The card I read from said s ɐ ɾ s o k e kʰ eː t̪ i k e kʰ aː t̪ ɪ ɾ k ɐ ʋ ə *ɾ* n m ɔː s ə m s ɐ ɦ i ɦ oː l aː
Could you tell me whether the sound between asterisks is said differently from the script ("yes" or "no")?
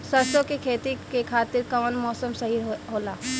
yes